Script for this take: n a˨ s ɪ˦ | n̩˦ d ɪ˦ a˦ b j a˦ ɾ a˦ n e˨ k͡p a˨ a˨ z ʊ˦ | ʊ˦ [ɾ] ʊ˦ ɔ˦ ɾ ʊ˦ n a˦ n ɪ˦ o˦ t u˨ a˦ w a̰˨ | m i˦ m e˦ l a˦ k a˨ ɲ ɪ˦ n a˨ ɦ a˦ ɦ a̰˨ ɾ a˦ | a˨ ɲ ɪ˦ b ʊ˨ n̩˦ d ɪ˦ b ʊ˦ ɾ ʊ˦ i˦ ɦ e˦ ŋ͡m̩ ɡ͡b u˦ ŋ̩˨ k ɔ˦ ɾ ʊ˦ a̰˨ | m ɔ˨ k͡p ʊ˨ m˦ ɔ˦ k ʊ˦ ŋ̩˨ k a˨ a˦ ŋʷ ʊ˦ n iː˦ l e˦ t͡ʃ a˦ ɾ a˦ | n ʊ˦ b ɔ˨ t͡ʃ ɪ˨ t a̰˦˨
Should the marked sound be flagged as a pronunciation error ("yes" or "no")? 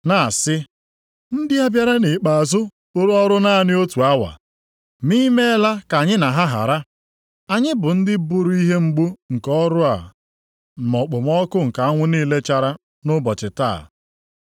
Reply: no